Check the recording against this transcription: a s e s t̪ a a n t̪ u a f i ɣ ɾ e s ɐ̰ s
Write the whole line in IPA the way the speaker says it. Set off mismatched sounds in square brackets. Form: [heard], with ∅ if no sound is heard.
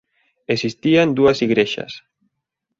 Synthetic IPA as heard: [e] s [i] s t̪ [i] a n [d̪] u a [s] i ɣ ɾ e [ʃ] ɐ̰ s